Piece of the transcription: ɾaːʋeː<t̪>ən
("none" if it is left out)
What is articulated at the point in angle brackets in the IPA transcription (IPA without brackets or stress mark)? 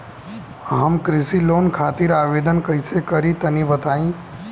d̪